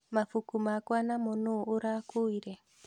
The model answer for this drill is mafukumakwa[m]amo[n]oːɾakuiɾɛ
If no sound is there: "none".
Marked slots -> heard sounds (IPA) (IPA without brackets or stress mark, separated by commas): n, n